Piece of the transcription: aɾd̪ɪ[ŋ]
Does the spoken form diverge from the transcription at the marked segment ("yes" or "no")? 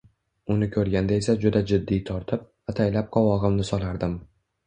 yes